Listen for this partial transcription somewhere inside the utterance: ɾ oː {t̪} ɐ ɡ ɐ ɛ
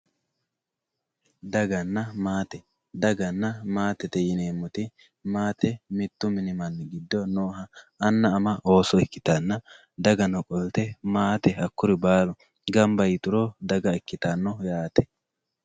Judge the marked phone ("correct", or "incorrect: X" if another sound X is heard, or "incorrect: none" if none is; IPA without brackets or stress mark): incorrect: d̪